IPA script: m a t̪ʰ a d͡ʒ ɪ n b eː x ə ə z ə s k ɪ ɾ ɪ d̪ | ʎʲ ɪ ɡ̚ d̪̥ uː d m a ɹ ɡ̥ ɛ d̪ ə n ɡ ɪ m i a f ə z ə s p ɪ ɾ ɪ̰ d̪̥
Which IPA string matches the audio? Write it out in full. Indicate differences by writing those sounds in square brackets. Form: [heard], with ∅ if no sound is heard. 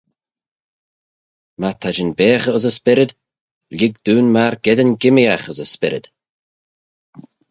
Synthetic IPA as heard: m a t̪ʰ a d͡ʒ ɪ n b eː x ə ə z ə s [p] ɪ ɾ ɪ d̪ | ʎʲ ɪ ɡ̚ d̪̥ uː [n] m a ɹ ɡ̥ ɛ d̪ ə n ɡ ɪ m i a [x] ə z ə s p ɪ ɾ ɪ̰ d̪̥